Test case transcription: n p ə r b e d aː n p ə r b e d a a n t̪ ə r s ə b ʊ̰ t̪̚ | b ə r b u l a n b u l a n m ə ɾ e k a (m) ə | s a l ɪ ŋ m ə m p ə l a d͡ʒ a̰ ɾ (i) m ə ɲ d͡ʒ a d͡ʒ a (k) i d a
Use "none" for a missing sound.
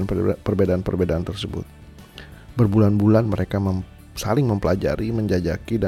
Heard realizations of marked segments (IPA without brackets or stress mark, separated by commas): m, i, k